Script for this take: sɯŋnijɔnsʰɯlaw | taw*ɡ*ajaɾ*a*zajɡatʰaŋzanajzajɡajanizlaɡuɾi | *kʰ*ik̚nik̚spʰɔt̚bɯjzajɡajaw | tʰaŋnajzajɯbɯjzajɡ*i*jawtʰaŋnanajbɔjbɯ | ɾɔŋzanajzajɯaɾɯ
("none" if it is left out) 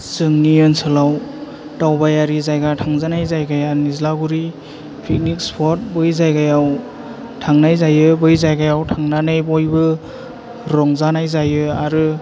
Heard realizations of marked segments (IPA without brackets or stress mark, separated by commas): b, i, pʰ, a